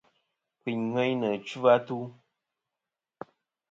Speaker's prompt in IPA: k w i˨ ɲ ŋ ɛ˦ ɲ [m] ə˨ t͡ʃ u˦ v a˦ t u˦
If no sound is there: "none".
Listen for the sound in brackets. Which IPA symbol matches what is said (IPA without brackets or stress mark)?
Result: n